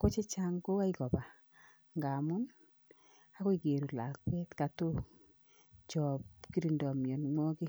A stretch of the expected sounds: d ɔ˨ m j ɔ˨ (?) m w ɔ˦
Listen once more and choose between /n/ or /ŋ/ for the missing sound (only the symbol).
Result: n